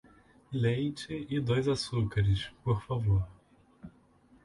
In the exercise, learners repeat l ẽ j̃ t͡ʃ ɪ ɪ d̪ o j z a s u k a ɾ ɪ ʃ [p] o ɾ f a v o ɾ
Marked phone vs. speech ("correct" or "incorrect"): correct